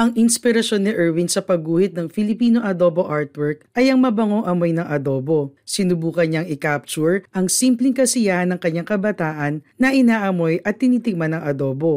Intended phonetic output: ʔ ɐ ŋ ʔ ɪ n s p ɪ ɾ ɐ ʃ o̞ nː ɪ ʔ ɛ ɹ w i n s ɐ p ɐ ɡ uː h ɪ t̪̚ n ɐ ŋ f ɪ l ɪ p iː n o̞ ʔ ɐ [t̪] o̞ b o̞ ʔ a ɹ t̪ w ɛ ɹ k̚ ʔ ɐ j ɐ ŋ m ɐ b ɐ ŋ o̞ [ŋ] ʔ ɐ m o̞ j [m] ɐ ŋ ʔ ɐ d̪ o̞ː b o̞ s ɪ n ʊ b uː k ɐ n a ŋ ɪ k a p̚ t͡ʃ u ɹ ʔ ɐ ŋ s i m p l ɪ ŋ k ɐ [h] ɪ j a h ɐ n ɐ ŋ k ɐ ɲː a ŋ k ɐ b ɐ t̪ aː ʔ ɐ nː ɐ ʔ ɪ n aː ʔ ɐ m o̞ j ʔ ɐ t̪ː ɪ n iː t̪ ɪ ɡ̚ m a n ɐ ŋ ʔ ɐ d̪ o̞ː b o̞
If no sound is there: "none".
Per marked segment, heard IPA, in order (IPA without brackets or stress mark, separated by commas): d̪, ŋ, n, s